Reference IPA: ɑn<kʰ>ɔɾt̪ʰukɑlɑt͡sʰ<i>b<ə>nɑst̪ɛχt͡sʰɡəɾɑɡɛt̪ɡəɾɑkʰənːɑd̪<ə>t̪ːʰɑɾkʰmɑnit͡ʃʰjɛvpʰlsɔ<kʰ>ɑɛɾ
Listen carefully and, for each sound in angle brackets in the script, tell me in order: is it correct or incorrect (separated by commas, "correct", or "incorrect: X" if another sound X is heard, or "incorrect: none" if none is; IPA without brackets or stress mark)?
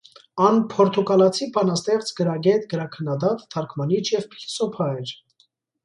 incorrect: pʰ, correct, incorrect: ɑ, incorrect: ɑ, incorrect: pʰ